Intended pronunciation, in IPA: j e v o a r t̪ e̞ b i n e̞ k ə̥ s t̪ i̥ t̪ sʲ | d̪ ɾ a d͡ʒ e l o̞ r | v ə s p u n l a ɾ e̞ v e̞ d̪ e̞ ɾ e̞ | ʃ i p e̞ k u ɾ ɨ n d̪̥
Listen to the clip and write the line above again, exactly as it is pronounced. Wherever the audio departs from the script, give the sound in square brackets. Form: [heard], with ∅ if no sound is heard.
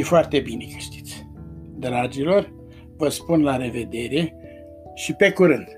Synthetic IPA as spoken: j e [f] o a r t̪ e̞ b i n e̞ k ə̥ [ʃ] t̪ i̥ t̪ sʲ | d̪ ɾ a d͡ʒ [i] l o̞ r | v ə s p u n l a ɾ e̞ v e̞ d̪ e̞ ɾ e̞ | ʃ i p e̞ k u ɾ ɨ n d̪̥